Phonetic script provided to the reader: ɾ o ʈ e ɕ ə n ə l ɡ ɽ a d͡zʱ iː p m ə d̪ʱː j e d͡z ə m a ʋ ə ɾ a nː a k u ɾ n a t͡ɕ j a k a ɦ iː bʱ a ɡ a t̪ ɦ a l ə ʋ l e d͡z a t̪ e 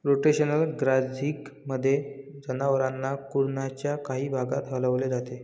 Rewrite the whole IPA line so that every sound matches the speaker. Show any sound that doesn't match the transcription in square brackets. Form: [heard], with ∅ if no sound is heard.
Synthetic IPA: ɾ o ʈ e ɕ ə n ə l ɡ [ɾ] a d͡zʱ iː [k] m ə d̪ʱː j e d͡z ə [n] a ʋ ə ɾ a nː a k u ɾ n a t͡ɕ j a k a ɦ iː bʱ a ɡ a t̪ ɦ [ə] l ə ʋ l e d͡z a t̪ e